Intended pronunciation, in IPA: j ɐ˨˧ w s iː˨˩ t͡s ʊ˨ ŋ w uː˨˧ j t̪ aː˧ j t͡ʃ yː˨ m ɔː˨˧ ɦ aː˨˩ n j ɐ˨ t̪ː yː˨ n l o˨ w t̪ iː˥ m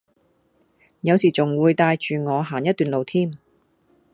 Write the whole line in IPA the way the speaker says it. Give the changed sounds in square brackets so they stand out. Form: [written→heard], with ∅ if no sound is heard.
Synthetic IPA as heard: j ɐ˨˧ w s iː˨˩ t͡s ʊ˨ ŋ w uː˨˧ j t̪ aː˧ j t͡ʃ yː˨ [m→ŋ] ɔː˨˧ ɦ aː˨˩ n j [ɐ˨→ɐ˥] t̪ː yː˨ n l o˨ w [t̪→t̪ʰ] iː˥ m